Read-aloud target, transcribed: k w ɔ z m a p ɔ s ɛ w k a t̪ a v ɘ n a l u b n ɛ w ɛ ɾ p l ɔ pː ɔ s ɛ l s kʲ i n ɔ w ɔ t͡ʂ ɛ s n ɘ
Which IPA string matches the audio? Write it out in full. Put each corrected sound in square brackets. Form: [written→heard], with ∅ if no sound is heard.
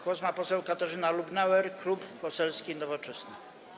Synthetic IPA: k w ɔ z m a p ɔ s ɛ w k a t̪ a [v→ʐ] ɘ n a l u b n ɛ w ɛ ɾ [p→k] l [ɔ→u] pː ɔ s ɛ l s kʲ i n ɔ [w→v] ɔ t͡ʂ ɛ s n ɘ